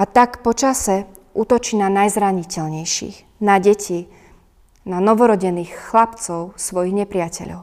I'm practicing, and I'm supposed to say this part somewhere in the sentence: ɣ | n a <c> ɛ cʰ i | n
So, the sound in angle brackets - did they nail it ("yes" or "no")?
no